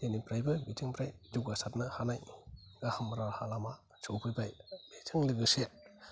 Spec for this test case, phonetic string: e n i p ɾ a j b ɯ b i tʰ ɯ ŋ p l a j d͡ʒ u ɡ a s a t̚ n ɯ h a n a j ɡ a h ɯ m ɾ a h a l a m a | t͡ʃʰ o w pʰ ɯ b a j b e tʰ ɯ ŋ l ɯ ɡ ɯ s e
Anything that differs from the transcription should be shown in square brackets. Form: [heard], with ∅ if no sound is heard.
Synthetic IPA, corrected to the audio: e n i p ɾ a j b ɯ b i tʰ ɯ ŋ p [ɾ] a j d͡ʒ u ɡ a s a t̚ n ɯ h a n a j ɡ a h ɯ m ɾ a h a l a m a | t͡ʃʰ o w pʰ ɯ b a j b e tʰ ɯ ŋ l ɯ ɡ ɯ s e